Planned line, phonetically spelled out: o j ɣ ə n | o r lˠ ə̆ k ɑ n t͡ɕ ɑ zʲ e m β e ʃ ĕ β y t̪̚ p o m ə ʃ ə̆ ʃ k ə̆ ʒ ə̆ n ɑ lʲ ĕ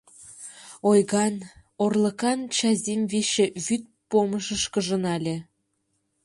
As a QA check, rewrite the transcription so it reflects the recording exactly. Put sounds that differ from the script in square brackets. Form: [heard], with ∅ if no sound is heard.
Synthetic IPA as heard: o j ɣ [ɑ] n | o r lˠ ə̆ k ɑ n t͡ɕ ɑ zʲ e m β e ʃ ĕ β y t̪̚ p o m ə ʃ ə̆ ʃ k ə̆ ʒ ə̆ n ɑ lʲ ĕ